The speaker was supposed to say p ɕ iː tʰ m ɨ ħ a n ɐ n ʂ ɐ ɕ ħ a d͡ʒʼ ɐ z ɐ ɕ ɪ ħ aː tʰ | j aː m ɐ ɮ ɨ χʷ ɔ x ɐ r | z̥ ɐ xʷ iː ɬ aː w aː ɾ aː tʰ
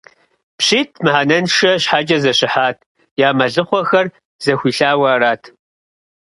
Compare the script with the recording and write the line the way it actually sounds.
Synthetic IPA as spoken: p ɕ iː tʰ m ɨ ħ a n ɐ n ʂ ɐ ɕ ħ a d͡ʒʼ ɐ z ɐ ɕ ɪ ħ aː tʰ | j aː m ɐ ɮ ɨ χʷ ɔ x ɐ r | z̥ ɐ xʷ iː ɬ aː w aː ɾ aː tʰ

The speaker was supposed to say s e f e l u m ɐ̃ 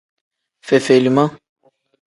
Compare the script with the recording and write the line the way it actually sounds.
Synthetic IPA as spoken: f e f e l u m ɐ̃

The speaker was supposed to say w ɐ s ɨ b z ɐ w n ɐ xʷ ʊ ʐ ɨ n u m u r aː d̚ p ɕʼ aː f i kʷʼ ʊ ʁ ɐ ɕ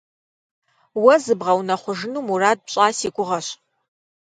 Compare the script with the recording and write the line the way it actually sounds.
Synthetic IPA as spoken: w ɐ z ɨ b ʁ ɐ w n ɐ χʷ ʊ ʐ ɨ n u m u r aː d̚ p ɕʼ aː s i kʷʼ ʊ ʁ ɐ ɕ

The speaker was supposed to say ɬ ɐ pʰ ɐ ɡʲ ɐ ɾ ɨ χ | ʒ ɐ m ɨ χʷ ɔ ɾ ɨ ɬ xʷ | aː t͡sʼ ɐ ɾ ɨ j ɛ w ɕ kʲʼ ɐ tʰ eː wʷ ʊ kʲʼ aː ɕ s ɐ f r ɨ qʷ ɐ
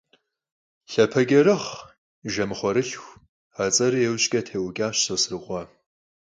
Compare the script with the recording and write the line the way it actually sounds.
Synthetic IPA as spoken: ɬ ɐ pʰ ɐ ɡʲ ɐ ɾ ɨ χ | ʒ ɐ m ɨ χʷ ɔ ɾ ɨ ɬ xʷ | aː t͡sʼ ɐ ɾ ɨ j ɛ w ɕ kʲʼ ɐ tʰ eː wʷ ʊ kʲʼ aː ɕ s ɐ s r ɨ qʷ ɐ

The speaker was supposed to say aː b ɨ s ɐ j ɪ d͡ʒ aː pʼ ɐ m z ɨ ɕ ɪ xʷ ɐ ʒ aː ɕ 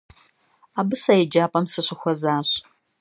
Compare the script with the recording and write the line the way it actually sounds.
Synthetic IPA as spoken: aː b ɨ s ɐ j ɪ d͡ʒ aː pʼ ɐ m s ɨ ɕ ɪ xʷ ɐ z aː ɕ

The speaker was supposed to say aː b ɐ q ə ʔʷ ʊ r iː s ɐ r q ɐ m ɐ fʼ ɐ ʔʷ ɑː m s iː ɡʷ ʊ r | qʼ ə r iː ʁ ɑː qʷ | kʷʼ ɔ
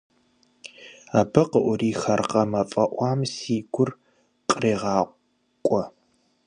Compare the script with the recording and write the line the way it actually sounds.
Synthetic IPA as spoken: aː b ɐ q ə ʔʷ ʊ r iː x ɐ r q ɐ m ɐ fʼ ɐ ʔʷ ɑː m s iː ɡʷ ʊ r | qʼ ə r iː ʁ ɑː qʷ | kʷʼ ɔ

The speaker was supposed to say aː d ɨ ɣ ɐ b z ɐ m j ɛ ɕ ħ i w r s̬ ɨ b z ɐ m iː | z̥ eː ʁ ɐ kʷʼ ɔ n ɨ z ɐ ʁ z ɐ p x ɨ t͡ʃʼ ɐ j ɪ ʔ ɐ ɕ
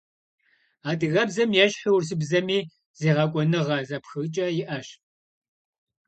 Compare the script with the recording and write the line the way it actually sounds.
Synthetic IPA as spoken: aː d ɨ ɣ ɐ b z ɐ m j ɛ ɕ ħ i w r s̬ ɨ b z ɐ m iː | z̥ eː ʁ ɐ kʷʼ ɔ n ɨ ʁ ɐ z ɐ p x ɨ t͡ʃʼ ɐ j ɪ ʔ ɐ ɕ

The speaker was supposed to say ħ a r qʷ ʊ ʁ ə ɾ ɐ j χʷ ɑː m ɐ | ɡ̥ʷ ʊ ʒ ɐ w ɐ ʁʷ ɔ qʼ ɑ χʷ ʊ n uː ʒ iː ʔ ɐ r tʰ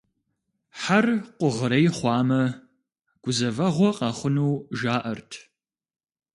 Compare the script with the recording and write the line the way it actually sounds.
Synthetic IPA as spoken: ħ a r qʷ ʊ ʁ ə ɾ ɐ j χʷ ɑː m ɐ | ɡ̥ʷ ʊ z ɐ v ɐ ʁʷ ɔ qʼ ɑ χʷ ʊ n uː ʒ aː ʔ ɐ r tʰ

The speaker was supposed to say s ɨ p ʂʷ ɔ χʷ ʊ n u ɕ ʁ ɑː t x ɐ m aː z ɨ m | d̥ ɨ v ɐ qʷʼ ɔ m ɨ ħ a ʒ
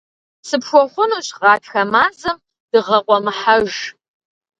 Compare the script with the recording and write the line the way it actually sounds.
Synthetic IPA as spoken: s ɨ p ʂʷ ɔ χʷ ʊ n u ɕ ʁ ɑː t x ɐ m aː z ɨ m | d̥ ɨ ʁ ɐ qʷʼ ɔ m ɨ ħ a ʒ

